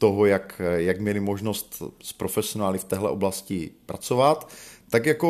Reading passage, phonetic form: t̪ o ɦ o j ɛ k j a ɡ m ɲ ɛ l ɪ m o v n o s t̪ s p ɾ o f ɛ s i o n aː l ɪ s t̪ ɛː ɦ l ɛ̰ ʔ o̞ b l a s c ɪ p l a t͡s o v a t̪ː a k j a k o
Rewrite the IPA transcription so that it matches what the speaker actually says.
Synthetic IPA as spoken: t̪ o ɦ o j a k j a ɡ m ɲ ɛ l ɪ m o ʒ n o s t̪ s p ɾ o f ɛ s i o n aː l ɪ f t̪ ɛː ɦ l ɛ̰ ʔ o̞ b l a s c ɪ p ɾ a t͡s o v a t̪ː a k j a k o